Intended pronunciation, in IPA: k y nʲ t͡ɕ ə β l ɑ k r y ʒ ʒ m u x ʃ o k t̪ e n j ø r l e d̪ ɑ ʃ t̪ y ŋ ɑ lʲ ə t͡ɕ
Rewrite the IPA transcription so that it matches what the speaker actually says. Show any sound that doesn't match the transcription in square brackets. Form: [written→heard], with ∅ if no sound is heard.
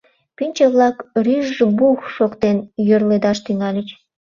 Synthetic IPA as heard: [k→p] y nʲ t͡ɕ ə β l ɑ k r y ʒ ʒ [m→b] u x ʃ o k t̪ e n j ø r l e d̪ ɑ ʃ t̪ y ŋ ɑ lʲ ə t͡ɕ